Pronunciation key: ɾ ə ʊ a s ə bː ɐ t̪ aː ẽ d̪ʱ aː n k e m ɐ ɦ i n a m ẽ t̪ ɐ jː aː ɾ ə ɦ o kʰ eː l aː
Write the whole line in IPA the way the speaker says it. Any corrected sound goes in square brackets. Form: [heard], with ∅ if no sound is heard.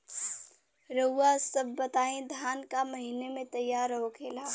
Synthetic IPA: ɾ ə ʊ a s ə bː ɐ t̪ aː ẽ d̪ʱ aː n k [a] m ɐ ɦ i n [e] m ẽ t̪ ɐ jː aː ɾ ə ɦ o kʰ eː l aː